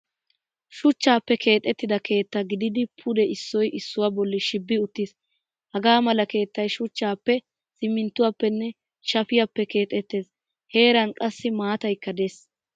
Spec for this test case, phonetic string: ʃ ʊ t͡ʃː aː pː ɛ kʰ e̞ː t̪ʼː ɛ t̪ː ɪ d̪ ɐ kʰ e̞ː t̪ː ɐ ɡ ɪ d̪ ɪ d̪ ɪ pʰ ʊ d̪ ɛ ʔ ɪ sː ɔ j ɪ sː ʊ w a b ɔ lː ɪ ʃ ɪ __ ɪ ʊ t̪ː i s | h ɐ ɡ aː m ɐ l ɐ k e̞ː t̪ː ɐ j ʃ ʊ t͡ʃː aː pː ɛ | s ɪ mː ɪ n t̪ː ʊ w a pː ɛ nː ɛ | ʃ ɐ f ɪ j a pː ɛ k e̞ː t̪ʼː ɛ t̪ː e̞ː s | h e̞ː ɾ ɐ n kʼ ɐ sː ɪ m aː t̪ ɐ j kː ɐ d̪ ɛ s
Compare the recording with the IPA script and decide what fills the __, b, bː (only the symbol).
bː